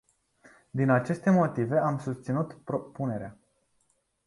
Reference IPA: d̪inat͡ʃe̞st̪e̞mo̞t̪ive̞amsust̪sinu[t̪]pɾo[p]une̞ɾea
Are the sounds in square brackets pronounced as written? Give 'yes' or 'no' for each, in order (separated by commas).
yes, yes